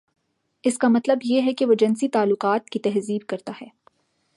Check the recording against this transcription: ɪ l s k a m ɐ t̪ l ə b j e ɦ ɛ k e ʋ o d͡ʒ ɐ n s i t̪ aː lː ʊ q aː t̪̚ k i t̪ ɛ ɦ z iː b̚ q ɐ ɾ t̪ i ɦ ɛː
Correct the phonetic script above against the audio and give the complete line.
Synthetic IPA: ɪ s k a m ɐ t̪ l ə b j e ɦ ɛ k e ʋ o d͡ʒ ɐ n s i t̪ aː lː ʊ q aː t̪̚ k i t̪ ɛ ɦ z iː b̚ k ɐ ɾ t̪ a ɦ ɛː

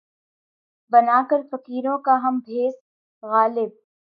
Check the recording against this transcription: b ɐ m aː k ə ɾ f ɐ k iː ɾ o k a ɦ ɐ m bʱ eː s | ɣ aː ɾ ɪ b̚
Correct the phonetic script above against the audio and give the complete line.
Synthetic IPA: b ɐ n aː k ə ɾ f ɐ k iː ɾ õ k a ɦ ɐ m bʱ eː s | ɣ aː l ɪ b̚

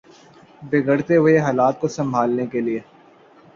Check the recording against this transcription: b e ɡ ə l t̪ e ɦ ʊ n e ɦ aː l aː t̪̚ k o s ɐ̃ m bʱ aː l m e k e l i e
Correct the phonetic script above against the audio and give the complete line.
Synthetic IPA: b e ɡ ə ɽ t̪ e ɦ ʊ e ɦ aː l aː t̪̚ k o s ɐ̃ m bʱ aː l n e k e l i e

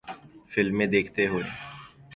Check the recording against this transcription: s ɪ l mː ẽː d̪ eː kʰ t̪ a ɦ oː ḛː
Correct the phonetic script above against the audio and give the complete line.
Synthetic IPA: f ɪ l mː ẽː d̪ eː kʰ t̪ e ɦ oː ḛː

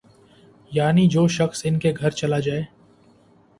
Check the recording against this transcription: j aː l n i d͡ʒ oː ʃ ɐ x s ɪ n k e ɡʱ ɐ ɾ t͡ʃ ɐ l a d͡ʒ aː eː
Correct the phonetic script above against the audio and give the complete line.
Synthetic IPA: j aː n i d͡ʒ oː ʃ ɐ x s ɪ n k e ɡʱ ɐ ɾ t͡ʃ ɐ l a d͡ʒ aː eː

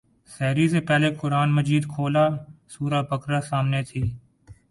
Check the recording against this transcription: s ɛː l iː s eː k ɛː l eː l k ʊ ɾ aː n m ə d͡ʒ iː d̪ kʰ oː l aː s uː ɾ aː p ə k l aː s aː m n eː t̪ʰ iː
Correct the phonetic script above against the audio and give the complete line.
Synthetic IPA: s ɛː ɾ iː s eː p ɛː l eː k ʊ ɾ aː n m ə d͡ʒ iː d̪ kʰ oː l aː s uː ɾ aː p ə k ɾ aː s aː m n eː t̪ʰ iː

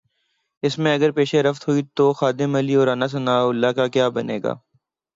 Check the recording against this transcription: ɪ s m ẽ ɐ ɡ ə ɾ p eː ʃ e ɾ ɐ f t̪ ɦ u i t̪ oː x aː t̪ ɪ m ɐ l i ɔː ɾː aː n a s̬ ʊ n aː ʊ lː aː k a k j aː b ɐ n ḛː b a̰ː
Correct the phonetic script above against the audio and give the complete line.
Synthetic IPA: ɪ s m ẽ ɐ ɡ ə ɾ p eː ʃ e ɾ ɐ f t̪ ɦ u i t̪ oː x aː d̪ ɪ m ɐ l i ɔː ɾ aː n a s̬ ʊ n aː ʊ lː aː k a k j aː b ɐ n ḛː ɡ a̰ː

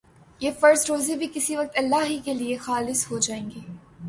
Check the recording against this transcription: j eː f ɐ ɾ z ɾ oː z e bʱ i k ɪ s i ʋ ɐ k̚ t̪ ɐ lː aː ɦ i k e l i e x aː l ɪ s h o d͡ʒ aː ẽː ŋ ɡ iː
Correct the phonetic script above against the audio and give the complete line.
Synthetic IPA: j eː f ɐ ɾ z ɾ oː z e bʱ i k ɪ s i ʋ ɐ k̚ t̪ ɐ lː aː ɦ i k e l i e x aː l ɪ s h o d͡ʒ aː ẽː ŋ ɡ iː

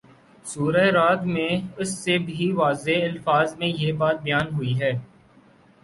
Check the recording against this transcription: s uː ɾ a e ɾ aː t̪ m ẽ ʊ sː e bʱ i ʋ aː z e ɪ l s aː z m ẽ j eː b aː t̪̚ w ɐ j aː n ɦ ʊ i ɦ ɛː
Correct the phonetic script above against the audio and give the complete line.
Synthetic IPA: s uː ɾ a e ɾ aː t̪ m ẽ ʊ sː e bʱ i ʋ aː z e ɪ l f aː z m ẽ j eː b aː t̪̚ b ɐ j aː n ɦ ʊ i ɦ ɛː

